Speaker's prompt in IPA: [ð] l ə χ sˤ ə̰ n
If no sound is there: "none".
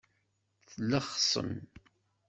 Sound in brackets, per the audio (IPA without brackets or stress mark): θ